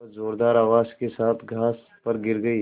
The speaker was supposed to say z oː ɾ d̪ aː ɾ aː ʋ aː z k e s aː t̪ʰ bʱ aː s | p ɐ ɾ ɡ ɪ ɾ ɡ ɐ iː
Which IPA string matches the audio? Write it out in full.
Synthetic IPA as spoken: z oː ɾ d̪ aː ɾ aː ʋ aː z k e s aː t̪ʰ ɡʱ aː s | p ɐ ɾ ɡ ɪ ɾ ɡ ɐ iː